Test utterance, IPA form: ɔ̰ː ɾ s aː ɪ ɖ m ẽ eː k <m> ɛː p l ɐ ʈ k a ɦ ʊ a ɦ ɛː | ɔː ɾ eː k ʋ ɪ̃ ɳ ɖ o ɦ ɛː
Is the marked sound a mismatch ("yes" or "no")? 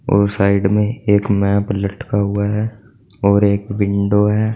no